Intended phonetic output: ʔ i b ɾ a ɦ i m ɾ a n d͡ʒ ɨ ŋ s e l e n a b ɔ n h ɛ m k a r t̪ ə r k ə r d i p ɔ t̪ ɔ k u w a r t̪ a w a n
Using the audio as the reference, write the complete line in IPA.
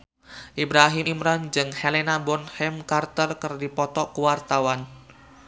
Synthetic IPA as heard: ʔ i b ɾ a ɦ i m ɾ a n d͡ʒ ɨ ŋ h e l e n a b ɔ n h ɛ m k a r t̪ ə r k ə r d i p ɔ t̪ ɔ k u w a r t̪ a w a n